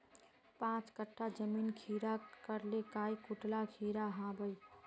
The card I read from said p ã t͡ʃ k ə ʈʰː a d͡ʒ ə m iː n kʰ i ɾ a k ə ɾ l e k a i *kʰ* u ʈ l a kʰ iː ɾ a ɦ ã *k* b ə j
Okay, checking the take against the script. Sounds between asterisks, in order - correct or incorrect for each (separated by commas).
incorrect, incorrect